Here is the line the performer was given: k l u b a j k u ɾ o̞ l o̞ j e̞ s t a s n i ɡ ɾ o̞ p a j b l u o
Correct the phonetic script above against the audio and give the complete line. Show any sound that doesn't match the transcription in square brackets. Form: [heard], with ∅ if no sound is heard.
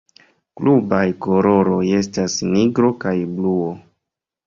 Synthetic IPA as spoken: k l u b a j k [o] ɾ o̞ [ɾ] o̞ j e̞ s t a s n i ɡ ɾ o̞ [k] a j b l u o